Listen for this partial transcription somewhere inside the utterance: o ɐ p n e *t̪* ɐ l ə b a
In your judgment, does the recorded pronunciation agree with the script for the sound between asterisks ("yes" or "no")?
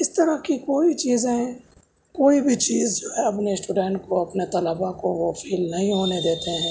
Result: yes